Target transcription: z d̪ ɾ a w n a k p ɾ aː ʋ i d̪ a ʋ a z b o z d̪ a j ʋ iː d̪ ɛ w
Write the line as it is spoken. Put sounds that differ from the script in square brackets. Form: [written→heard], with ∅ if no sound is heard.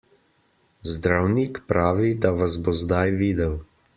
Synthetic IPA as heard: z d̪ ɾ a w n [a→i] k p ɾ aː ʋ i d̪ a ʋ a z b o z d̪ a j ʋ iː d̪ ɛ w